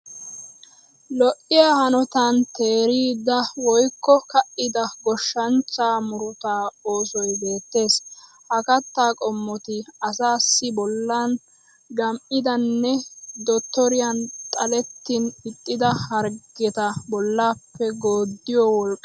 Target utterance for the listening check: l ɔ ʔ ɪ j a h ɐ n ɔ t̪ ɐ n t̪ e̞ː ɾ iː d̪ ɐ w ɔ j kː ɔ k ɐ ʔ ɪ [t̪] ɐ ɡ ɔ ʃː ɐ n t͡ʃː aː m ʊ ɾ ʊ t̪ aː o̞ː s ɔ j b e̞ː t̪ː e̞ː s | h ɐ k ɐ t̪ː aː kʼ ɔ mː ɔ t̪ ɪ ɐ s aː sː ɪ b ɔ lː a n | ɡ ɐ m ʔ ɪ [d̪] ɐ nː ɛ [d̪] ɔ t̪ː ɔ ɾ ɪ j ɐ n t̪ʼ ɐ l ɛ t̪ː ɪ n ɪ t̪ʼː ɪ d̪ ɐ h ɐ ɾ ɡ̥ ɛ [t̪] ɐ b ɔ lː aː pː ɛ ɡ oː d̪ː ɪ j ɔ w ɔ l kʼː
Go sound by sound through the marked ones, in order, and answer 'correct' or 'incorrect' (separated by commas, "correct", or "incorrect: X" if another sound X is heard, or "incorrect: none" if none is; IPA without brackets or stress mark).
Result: incorrect: d̪, correct, correct, correct